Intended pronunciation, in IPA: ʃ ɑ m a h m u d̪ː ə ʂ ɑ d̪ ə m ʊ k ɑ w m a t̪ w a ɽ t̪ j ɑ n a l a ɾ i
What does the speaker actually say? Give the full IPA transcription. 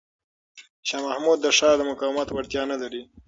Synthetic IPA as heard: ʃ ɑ m a h m u d̪ː ə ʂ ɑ d̪ ə m ʊ k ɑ w m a t̪ w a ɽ t̪ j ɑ n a l a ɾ i